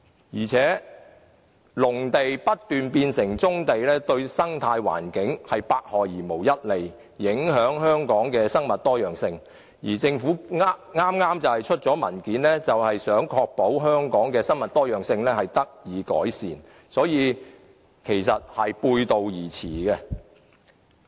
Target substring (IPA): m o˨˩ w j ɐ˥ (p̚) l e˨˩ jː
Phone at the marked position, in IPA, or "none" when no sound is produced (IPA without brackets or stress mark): t̚